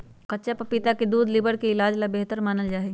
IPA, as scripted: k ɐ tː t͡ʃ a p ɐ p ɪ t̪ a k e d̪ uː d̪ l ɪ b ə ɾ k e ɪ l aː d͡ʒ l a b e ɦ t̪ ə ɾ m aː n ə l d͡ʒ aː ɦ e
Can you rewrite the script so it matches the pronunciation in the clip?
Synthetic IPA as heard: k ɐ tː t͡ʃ a p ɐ p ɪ t̪ a k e d̪ uː d̪ l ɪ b ə ɾ k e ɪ l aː d͡ʒ l a b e ɦ t̪ ə ɾ m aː n ə l d͡ʒ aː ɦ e